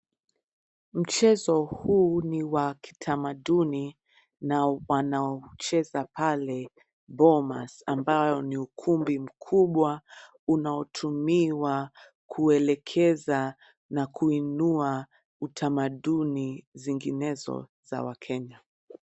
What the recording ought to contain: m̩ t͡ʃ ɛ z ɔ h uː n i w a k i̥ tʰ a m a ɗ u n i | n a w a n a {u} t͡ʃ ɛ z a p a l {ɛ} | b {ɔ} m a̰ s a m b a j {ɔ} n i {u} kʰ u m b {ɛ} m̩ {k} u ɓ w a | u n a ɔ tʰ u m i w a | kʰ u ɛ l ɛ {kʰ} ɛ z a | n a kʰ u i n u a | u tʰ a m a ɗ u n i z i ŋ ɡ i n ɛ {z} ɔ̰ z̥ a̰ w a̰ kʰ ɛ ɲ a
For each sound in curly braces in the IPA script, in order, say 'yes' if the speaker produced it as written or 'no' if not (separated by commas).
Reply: no, yes, yes, yes, yes, no, no, yes, yes